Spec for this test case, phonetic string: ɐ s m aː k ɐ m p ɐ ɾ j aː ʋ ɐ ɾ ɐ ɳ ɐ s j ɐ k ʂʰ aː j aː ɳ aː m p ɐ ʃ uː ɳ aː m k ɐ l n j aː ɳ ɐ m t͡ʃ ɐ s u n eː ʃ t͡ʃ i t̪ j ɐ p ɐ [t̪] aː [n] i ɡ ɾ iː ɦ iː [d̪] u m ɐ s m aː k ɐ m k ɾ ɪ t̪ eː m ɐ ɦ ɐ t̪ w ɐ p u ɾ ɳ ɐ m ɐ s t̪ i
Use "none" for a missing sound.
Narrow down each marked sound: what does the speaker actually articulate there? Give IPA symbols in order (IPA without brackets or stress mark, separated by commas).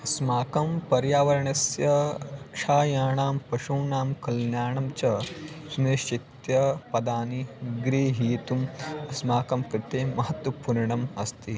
d̪, n, t̪